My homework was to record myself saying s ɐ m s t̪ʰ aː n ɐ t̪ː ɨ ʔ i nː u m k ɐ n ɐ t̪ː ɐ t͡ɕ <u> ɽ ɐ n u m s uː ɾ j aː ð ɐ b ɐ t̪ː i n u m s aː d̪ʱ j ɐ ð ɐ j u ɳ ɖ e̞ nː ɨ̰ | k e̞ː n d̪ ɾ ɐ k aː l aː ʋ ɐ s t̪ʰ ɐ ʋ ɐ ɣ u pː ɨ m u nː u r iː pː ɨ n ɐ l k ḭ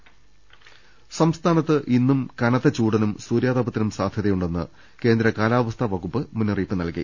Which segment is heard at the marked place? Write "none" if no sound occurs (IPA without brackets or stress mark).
uː